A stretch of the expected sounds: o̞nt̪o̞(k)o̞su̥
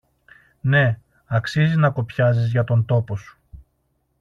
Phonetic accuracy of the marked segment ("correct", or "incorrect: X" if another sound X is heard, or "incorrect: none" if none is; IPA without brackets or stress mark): incorrect: p